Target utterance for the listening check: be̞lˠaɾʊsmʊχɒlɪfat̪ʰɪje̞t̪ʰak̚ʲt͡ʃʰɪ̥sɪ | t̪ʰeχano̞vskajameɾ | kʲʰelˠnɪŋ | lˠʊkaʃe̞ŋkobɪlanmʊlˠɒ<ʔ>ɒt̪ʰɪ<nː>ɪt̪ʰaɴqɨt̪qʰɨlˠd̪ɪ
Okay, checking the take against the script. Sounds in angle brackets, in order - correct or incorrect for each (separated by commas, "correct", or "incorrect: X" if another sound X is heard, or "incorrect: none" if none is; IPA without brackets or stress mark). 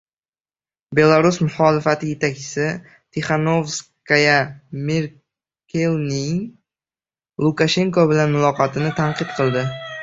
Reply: incorrect: q, incorrect: n